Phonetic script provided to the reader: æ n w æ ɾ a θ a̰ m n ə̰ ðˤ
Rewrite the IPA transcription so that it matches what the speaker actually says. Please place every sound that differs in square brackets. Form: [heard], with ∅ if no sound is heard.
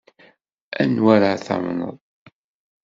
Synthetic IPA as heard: æ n w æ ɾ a θ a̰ m n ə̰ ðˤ